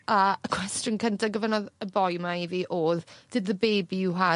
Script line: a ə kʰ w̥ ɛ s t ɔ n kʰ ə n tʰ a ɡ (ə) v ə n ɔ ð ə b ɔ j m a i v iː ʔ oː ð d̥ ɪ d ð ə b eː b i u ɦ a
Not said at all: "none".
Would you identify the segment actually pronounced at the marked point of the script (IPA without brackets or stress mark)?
ə